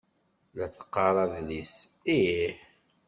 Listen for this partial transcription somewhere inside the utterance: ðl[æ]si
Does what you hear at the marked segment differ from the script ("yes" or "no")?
yes